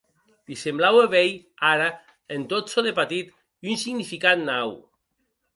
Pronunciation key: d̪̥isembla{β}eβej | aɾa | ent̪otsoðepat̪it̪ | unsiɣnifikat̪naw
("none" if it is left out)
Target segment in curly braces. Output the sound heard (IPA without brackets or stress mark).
w